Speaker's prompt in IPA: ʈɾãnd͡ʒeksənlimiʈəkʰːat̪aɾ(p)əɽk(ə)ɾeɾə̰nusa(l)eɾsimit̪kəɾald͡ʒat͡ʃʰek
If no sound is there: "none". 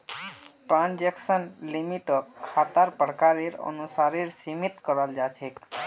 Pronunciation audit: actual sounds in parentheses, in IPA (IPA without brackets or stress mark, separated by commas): p, a, ɾ